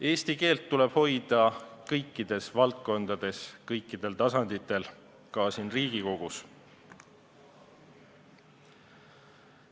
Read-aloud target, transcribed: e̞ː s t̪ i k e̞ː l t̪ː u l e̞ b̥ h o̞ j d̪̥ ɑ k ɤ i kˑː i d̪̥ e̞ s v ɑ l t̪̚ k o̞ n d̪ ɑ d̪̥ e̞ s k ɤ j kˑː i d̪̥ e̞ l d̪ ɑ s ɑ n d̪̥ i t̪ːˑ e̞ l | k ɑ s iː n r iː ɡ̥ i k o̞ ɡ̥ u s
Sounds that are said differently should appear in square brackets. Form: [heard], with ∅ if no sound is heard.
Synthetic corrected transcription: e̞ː s t̪ i k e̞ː l t̪ː u l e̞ b̥ h o̞ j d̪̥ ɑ k ɤ [j] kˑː i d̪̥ e̞ s v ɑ l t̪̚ k o̞ n d̪ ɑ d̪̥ e̞ s k ɤ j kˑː i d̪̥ e̞ l [t̪] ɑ s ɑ n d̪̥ i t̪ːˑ e̞ l | k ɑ s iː n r iː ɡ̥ i k o̞ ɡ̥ u s